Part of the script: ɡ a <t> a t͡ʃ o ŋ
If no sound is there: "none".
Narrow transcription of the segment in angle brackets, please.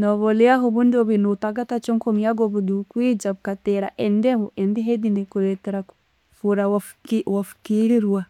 t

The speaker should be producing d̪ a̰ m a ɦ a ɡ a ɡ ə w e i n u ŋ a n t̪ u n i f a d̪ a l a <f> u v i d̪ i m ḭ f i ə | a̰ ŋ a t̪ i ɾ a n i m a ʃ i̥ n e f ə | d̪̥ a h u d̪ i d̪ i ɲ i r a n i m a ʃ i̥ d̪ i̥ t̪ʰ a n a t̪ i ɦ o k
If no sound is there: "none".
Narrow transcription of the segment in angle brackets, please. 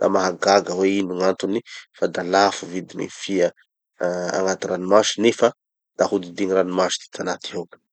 f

